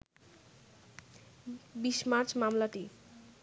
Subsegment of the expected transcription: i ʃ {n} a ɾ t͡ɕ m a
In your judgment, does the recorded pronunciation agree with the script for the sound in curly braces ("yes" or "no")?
no